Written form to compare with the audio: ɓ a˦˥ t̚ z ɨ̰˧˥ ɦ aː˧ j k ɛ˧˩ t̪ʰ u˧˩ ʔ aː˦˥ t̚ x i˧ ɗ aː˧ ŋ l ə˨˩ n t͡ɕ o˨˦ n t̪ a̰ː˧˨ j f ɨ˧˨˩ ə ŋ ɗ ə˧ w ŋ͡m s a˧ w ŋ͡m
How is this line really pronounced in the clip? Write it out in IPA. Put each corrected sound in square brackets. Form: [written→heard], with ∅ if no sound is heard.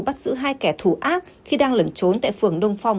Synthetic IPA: ɓ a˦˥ t̚ z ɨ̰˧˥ ɦ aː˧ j k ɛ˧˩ t̪ʰ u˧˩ ʔ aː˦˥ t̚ x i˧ ɗ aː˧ ŋ l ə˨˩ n t͡ɕ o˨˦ n t̪ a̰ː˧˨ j f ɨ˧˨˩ ə ŋ ɗ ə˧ w ŋ͡m [s→f] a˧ w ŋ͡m